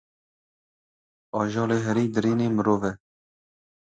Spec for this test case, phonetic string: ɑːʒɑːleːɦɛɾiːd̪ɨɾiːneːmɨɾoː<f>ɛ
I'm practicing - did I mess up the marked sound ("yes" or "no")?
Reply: yes